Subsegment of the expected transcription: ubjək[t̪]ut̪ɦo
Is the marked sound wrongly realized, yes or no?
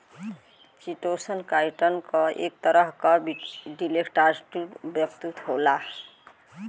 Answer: no